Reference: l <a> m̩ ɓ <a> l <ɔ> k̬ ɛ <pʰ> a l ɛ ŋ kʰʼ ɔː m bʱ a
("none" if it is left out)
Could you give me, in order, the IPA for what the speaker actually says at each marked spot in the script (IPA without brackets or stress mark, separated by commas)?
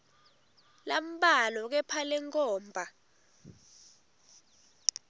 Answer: a, a, ɔ, pʰ